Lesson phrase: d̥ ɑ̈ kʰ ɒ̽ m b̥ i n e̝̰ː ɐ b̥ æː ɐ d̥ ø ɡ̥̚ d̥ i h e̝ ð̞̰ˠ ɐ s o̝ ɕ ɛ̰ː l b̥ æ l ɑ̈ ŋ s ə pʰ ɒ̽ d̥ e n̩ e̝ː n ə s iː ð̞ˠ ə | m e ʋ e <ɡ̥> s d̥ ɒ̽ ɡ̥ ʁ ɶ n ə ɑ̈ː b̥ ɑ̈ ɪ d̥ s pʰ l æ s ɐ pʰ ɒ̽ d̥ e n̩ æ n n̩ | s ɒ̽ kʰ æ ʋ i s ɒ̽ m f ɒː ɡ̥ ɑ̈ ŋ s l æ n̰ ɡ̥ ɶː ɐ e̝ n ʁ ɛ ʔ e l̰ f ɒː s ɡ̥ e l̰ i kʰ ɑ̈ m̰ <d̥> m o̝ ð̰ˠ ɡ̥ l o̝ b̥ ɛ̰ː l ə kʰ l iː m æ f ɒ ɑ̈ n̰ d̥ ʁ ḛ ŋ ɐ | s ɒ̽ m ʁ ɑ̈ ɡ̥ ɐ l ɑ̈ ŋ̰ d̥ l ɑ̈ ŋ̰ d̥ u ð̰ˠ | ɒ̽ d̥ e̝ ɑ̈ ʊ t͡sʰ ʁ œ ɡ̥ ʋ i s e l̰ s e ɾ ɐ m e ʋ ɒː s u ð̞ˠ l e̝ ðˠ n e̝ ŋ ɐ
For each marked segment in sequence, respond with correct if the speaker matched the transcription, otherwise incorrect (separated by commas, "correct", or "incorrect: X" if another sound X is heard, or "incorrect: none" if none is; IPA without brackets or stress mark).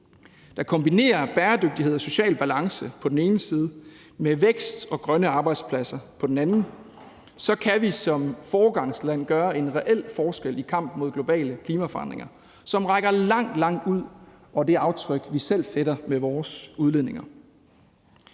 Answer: correct, incorrect: b̥